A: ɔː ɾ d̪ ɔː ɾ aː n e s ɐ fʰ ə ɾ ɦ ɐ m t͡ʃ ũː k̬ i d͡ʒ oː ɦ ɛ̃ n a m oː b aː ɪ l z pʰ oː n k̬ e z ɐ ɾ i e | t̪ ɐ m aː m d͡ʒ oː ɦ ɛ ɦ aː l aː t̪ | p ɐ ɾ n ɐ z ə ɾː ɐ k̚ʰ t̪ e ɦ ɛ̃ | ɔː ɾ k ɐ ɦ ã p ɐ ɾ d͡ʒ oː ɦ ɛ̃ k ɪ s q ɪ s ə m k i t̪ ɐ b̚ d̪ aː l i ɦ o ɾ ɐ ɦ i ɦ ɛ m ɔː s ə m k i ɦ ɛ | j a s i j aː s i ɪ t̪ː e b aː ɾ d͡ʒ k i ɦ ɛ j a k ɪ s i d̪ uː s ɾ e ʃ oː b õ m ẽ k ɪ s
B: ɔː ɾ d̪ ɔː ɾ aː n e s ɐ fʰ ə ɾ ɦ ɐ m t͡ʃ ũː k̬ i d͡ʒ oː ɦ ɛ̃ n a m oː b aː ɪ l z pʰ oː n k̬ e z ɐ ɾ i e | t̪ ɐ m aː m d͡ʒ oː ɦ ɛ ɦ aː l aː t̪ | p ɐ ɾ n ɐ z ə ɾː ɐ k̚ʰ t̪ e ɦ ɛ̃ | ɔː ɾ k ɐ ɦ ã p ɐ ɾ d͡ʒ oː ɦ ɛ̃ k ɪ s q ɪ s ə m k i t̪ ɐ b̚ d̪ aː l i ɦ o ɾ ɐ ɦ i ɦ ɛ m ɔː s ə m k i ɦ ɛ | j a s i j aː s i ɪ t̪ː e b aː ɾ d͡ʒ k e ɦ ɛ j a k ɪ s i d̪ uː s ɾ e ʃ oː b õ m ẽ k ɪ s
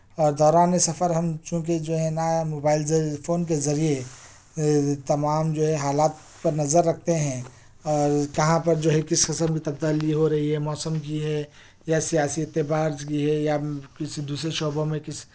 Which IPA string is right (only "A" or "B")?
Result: A